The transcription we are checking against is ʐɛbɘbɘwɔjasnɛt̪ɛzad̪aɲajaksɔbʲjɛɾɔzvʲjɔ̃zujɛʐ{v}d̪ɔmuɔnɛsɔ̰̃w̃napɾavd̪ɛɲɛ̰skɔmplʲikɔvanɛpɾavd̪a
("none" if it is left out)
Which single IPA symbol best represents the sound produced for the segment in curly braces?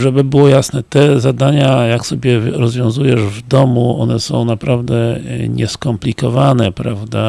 v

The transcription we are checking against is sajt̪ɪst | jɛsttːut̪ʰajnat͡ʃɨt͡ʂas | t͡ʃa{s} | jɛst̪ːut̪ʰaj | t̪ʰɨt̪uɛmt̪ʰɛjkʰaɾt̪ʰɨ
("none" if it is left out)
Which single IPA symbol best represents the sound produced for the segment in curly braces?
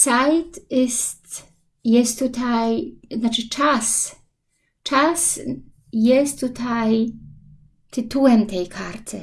s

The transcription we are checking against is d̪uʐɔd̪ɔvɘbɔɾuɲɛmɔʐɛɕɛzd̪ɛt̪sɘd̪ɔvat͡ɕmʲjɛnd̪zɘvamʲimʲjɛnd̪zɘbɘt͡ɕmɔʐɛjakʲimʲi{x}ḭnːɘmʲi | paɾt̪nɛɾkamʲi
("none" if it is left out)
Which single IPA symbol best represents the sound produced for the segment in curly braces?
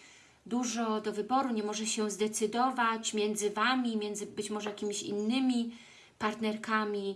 ɕ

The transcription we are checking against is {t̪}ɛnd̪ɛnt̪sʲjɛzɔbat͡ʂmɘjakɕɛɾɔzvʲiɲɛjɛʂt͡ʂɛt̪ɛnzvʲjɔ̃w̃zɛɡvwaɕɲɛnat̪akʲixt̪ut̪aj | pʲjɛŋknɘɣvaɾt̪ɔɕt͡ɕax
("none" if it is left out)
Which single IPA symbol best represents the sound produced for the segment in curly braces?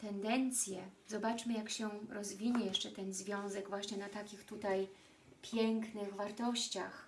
t̪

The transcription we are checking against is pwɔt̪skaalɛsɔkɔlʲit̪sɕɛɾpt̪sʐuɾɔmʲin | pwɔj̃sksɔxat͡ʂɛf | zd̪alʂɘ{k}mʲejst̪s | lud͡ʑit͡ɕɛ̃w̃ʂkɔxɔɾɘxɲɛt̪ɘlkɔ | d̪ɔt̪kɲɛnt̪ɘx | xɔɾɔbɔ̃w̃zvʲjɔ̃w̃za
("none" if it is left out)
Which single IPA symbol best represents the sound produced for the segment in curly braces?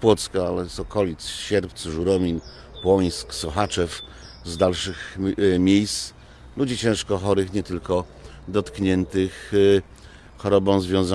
x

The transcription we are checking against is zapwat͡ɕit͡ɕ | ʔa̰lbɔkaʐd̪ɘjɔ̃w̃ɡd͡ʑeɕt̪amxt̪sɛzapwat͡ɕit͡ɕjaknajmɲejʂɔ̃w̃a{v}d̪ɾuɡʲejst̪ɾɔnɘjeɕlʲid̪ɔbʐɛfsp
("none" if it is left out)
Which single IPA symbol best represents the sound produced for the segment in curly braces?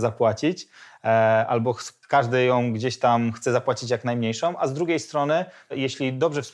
z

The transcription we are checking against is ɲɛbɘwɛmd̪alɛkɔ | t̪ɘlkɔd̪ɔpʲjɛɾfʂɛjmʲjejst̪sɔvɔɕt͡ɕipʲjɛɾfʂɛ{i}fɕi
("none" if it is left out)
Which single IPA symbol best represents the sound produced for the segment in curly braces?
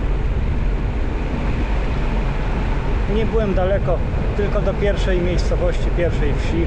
j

